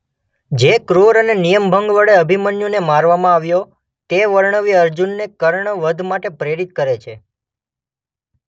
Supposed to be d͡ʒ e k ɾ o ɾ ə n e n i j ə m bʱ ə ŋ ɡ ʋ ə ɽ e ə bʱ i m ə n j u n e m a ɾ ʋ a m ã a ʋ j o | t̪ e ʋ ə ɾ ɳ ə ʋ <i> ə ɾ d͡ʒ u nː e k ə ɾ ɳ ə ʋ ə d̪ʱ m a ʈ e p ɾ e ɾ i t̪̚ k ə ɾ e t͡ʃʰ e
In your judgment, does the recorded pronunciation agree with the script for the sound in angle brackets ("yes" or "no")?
yes